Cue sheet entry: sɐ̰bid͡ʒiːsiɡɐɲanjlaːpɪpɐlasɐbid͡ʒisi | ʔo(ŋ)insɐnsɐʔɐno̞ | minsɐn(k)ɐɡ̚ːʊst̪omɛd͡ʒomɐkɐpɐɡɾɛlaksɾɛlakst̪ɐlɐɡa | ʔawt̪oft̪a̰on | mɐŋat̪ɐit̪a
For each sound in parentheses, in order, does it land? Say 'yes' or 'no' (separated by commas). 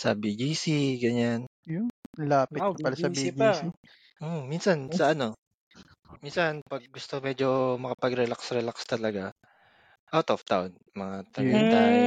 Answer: no, no